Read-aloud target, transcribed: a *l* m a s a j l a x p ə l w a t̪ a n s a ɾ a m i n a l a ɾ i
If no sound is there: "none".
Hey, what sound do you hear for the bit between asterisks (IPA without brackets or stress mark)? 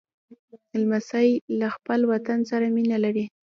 l